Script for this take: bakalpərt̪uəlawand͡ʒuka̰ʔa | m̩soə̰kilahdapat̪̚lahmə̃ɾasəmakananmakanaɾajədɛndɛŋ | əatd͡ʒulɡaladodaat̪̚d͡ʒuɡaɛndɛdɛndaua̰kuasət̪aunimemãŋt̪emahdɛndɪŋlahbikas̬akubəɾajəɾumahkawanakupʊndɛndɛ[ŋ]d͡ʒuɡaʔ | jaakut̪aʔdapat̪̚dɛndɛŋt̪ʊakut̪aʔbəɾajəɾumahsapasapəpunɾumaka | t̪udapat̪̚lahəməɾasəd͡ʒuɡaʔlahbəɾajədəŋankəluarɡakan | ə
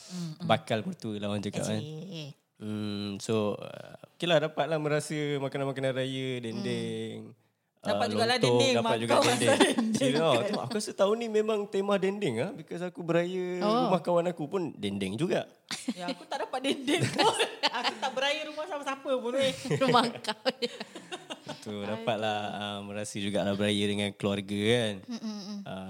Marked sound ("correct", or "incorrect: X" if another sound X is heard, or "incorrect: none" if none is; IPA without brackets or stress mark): correct